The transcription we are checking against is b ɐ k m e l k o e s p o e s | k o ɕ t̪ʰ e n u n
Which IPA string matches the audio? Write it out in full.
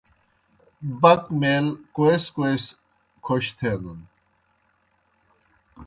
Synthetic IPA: b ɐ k m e l k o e s k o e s | kʰ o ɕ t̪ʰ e n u n